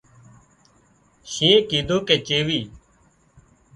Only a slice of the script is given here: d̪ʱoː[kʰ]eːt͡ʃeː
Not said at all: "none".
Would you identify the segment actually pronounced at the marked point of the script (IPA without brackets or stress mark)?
k